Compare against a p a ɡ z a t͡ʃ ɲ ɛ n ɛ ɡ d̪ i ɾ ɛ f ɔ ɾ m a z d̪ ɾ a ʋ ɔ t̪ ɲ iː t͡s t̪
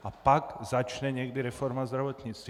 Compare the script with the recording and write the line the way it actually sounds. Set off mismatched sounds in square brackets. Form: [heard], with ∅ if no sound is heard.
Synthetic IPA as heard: a p a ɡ z a t͡ʃ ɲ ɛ [ɲ] ɛ ɡ d̪ i ɾ ɛ f ɔ ɾ m a z d̪ ɾ a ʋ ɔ t̪ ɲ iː t͡s t̪